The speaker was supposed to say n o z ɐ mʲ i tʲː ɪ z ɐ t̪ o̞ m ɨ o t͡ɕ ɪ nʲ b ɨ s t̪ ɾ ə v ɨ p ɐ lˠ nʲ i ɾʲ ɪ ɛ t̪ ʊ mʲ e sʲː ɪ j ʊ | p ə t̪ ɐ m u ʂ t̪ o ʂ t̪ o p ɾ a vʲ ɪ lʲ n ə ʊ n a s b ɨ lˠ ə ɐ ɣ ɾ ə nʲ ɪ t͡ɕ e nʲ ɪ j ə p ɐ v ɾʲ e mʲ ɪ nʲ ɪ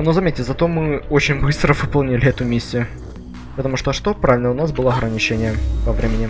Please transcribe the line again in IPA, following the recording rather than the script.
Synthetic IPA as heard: n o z ɐ mʲ e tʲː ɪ z ɐ t̪ o̞ m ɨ o t͡ɕ ɪ nʲ b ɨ s t̪ ɾ ə v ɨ p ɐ lˠ nʲ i lʲ ɪ ɛ t̪ ʊ mʲ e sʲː ɪ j ʊ | p ə t̪ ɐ m u ʂ t̪ o ʂ t̪ o p ɾ a vʲ ɪ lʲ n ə ʊ n a s b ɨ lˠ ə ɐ ɣ ɾ ə nʲ ɪ t͡ɕ e nʲ ɪ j ə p ɐ v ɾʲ e mʲ ɪ nʲ ɪ